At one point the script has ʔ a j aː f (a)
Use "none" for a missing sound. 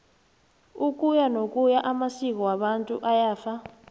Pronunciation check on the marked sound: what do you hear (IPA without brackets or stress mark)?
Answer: a